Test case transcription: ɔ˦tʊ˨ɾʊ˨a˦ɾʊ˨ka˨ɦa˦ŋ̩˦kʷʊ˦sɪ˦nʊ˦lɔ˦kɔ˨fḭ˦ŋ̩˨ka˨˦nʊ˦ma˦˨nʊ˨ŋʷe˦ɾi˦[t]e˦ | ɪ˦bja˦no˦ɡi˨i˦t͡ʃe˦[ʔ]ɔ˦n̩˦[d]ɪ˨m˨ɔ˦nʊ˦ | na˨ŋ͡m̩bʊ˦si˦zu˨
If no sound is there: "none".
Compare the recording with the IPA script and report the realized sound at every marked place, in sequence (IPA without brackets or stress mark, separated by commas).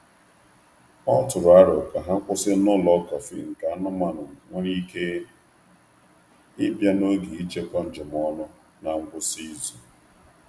k, k, d͡ʒ